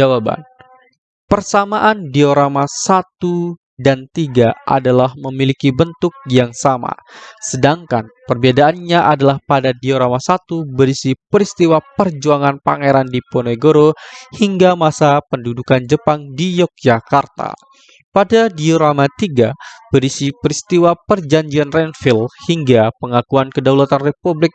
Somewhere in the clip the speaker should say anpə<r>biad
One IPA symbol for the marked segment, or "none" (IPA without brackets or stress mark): r